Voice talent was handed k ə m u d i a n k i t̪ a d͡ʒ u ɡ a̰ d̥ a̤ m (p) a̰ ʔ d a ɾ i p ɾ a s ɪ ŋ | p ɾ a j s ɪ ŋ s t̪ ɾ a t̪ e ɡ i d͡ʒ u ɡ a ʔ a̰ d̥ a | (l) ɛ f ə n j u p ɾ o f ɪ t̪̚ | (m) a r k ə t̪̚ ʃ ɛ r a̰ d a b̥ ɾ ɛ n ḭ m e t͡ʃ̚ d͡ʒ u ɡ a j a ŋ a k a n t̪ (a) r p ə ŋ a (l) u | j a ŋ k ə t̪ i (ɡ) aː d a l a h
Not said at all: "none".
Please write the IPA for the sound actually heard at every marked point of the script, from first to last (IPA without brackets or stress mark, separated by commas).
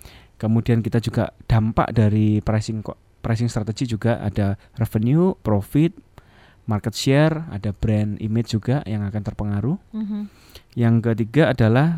p, r, m, ə, ɾ, ɡ